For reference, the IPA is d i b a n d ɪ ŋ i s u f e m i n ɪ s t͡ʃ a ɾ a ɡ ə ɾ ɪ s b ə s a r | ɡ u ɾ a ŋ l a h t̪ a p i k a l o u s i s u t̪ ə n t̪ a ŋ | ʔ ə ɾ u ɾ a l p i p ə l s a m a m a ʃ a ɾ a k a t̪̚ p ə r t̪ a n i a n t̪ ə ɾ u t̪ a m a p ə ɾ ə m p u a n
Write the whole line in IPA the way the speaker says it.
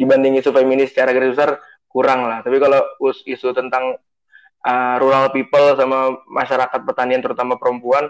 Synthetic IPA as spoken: d i b a n d ɪ ŋ i s u f e m i n ɪ s t͡ʃ a ɾ a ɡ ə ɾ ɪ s b ə s a r | k u ɾ a ŋ l a h t̪ a p i k a l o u s i s u t̪ ə n t̪ a ŋ | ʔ ə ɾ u ɾ a l p i p ə l s a m a m a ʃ a ɾ a k a t̪̚ p ə r t̪ a n i a n t̪ ə ɾ u t̪ a m a p ə ɾ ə m p u a n